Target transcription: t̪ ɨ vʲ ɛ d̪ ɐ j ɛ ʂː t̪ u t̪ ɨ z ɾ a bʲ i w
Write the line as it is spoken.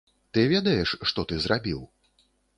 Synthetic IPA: t̪ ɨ vʲ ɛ d̪ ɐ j ɛ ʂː t̪ ɔ t̪ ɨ z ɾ a bʲ i w

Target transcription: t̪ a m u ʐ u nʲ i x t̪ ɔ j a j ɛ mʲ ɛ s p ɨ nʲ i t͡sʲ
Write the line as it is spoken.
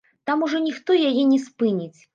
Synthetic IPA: t̪ a m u ʐ ɔ nʲ i x t̪ ɔ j a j ɛ nʲ ɛ s p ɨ nʲ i t͡sʲ

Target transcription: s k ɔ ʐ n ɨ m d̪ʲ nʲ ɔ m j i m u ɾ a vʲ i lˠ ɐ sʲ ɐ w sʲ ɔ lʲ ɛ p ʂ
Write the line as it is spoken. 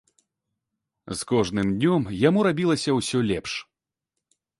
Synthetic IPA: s k ɔ ʐ n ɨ m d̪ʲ nʲ ɔ m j a m u ɾ a bʲ i lˠ ɐ sʲ ɐ w sʲ ɔ lʲ ɛ p ʂ

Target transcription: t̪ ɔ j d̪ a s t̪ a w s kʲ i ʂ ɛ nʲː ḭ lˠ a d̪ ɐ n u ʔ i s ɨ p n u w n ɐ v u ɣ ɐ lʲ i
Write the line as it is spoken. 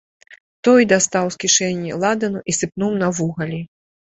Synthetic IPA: t̪ ɔ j d̪ a s t̪ a w s kʲ i ʂ ɛ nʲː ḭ lˠ a d̪ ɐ n u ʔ i s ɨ p n u w n ɐ v u ɣ ɐ lʲ i

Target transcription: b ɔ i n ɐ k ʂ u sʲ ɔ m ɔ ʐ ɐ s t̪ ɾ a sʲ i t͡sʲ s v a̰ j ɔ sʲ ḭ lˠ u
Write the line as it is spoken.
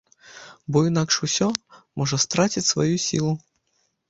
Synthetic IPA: b ɔ i n a k ʂ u sʲ ɔ m ɔ ʐ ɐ s t̪ ɾ a t͡sʲ i t͡sʲ s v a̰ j u sʲ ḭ lˠ u

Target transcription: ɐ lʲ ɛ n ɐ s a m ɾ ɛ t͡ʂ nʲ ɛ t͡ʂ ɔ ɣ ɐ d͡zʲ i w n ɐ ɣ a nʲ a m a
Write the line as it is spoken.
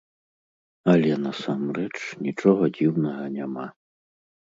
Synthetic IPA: ɐ lʲ ɛ n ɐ s a m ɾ ɛ t͡ʂ nʲ i t͡ʂ ɔ ɣ ɐ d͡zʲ i w n ɐ ɣ ɐ nʲ a m a

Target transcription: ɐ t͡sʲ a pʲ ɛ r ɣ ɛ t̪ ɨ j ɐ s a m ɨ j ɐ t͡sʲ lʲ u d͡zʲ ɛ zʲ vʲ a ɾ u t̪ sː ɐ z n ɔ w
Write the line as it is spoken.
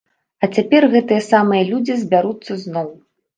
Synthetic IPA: ɐ t͡sʲ a pʲ ɛ r ɣ ɛ t̪ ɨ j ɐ s a m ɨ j ɐ lʲ u d͡zʲ i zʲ bʲ a ɾ u t̪ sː ɐ z n ɔ w

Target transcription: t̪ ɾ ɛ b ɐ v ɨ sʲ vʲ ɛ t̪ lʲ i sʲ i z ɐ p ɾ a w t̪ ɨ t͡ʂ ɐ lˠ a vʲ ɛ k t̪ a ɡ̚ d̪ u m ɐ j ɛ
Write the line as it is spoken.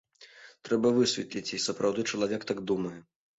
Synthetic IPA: t̪ ɾ ɛ b ɐ v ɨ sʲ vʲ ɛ t̪ lʲ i t͡sʲ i s ɐ p ɾ a w d̪ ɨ t͡ʂ ɐ lˠ a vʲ ɛ k t̪ a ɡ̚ d̪ u m ɐ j ɛ

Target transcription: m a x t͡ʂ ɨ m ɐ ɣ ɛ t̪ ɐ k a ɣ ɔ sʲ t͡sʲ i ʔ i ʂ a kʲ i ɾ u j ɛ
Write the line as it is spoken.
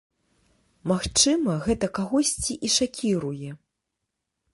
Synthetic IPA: m a x t͡ʂ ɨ m ɐ ɣ ɛ t̪ ɐ k a ɣ ɔ sʲ t͡sʲ i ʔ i ʂ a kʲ i ɾ u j ɛ

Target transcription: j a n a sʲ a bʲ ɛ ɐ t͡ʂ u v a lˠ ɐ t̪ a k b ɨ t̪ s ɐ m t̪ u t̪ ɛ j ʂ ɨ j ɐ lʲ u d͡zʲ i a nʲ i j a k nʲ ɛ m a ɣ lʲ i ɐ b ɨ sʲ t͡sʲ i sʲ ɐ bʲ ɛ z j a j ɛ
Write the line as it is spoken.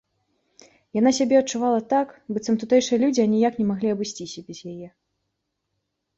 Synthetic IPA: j a n a sʲ a bʲ ɛ ɐ t͡ʂ u v a lˠ ɐ t̪ a k b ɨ t̪ s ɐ m t̪ u t̪ ɛ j ʂ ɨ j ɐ lʲ u d͡zʲ i a nʲ i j a k nʲ ɛ m a ɣ lʲ i ɐ b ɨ sʲ t͡sʲ i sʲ ɐ bʲ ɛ z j a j ɛ

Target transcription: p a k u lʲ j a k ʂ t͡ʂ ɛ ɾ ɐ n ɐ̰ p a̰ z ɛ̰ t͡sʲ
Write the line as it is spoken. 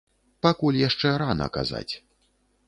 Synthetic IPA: p a k u lʲ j a ʂ t͡ʂ ɛ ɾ a n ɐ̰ k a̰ z a̰ t͡sʲ

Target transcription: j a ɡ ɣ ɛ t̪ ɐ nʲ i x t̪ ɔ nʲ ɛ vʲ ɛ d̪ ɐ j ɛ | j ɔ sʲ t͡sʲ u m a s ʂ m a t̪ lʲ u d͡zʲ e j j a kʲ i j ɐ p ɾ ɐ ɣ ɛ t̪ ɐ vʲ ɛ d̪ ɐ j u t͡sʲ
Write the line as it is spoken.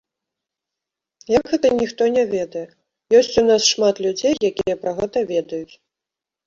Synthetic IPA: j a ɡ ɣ ɛ t̪ ɐ nʲ i x t̪ ɔ nʲ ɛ vʲ ɛ d̪ ɐ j ɛ | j ɔ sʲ t͡sʲ u n a s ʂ m a t̪ lʲ u d͡zʲ e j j a kʲ i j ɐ p ɾ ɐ ɣ ɛ t̪ ɐ vʲ ɛ d̪ ɐ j u t͡sʲ

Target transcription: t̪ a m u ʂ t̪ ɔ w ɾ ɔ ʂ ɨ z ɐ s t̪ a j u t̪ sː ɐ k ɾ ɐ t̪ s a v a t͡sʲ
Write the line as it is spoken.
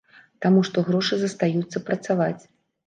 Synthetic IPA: t̪ a m u ʂ t̪ ɔ ɣ ɾ ɔ ʂ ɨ z ɐ s t̪ a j u t̪ sː ɐ p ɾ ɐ t̪ s a v a t͡sʲ

